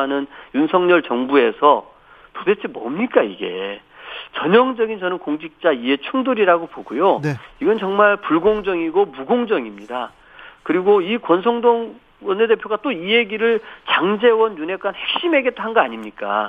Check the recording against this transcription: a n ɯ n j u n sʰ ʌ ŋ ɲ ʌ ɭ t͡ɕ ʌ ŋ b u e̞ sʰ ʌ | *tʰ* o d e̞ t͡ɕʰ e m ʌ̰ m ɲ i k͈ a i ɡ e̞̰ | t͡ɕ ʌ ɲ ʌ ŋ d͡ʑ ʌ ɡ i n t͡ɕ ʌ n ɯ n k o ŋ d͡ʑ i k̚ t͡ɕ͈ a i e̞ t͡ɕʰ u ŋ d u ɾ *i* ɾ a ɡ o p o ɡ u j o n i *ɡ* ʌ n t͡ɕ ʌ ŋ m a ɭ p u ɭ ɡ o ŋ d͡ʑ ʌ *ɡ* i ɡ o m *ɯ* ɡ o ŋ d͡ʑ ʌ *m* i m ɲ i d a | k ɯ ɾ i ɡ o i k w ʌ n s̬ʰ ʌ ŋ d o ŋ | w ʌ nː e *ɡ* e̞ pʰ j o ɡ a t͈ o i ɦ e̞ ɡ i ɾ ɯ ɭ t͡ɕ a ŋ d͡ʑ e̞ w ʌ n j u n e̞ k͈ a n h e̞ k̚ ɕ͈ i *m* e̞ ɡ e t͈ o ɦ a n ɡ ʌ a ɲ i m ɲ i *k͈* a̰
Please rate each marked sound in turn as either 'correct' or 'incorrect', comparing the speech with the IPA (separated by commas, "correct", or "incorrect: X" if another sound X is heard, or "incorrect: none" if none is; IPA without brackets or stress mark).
incorrect: t, correct, correct, incorrect: ŋ, incorrect: u, incorrect: ŋ, incorrect: d, correct, correct